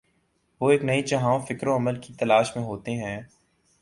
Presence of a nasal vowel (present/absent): present